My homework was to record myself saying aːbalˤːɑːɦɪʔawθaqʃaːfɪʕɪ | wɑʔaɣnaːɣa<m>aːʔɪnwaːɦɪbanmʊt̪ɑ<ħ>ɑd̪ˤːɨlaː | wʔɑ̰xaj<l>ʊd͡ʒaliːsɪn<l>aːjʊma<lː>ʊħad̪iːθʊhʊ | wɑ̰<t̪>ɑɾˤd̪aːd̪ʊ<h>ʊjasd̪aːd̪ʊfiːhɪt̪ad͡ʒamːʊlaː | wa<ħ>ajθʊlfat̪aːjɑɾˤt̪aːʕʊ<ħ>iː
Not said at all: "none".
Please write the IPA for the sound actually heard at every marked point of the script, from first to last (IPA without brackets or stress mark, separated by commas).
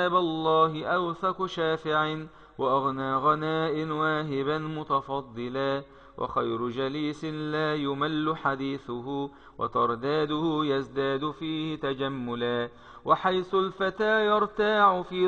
n, f, ɾ, l, lː, t̪, h, ħ, f